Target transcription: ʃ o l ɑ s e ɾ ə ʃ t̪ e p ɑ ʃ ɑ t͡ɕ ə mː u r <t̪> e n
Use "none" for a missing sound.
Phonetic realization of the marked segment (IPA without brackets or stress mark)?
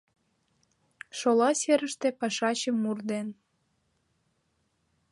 d̪